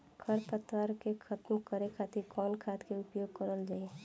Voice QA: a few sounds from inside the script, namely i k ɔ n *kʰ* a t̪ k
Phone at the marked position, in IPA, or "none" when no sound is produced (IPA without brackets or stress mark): kʰ